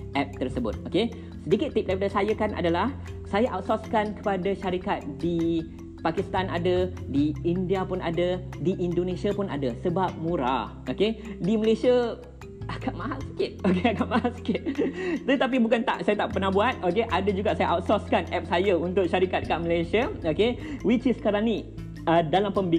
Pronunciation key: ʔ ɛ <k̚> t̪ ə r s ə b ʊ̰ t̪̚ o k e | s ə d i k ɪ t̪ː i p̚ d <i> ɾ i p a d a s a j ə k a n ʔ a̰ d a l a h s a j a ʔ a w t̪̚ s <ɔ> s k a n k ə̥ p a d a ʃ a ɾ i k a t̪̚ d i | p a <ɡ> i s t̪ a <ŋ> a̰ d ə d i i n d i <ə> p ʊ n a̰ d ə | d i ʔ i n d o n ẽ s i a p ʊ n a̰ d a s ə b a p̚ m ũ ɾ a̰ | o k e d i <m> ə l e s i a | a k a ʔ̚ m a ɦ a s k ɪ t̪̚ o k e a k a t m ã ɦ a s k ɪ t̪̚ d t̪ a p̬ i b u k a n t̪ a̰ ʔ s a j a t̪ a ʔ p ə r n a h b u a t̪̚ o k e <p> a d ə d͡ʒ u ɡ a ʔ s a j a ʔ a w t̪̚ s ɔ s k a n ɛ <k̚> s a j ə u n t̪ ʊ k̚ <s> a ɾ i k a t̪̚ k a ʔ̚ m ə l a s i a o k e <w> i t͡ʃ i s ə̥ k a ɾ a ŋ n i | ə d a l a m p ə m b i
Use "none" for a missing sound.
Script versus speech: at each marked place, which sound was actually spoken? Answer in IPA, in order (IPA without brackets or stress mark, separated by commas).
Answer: p̚, a, ɔ, k, n, a, m, ʔ, p̚, ʃ, w